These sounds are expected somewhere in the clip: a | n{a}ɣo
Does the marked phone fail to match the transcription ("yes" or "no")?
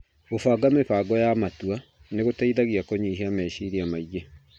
yes